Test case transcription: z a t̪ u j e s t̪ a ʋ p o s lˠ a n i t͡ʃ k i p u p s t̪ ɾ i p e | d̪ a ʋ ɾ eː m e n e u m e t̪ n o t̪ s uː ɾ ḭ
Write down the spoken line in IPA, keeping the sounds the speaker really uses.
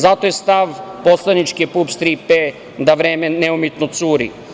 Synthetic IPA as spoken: z a t̪ o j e s t̪ a ʋ p o s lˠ a n i t͡ʃ k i p u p s t̪ ɾ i p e | d̪ a ʋ ɾ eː m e n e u m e t̪ n o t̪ s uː ɾ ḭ